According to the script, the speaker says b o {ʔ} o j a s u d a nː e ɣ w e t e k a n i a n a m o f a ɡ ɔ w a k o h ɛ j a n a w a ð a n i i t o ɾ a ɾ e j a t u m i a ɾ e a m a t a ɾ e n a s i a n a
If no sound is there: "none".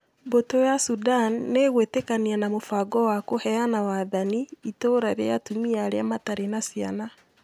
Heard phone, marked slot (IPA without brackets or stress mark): t